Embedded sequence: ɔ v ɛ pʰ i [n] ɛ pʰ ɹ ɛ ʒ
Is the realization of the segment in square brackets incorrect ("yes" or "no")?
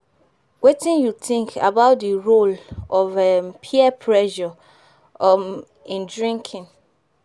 yes